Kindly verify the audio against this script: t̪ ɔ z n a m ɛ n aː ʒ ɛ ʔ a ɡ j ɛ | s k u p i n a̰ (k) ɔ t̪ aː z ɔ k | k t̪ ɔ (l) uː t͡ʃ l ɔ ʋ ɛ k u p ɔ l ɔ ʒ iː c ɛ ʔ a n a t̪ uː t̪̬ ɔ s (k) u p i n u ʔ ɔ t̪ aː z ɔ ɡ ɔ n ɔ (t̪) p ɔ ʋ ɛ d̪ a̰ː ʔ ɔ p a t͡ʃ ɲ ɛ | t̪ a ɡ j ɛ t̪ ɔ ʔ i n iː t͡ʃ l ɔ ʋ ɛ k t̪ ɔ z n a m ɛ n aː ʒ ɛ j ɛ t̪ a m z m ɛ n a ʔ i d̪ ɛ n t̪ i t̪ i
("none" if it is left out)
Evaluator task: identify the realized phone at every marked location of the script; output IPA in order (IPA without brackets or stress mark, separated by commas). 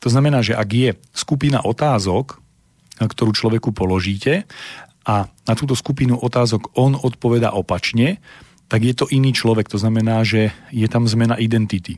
ʔ, ɾ, k, t̪